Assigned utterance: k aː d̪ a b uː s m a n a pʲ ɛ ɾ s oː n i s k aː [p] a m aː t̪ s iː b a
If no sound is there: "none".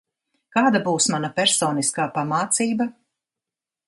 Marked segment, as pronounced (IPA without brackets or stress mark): p